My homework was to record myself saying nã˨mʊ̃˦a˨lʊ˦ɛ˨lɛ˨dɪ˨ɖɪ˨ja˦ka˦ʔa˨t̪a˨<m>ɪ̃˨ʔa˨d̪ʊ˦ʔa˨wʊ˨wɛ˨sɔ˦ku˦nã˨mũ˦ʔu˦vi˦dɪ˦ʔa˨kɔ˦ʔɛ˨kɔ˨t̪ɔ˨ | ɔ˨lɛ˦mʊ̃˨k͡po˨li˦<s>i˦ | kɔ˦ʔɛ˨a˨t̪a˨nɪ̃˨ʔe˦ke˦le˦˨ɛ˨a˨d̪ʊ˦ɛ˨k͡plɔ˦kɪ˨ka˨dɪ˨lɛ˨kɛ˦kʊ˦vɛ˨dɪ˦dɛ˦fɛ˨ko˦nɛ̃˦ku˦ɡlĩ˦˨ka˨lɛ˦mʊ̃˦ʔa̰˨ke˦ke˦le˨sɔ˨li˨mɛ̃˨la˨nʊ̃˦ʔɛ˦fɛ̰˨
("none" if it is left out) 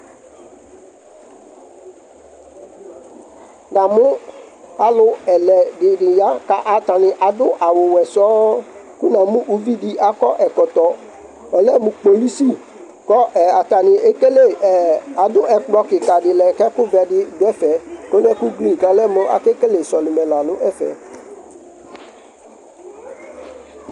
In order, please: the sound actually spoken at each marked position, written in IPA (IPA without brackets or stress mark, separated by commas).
n, s